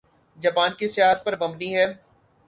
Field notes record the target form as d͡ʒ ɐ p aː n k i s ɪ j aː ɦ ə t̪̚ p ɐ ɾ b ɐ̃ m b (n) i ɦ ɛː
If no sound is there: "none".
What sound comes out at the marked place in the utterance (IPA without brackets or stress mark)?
n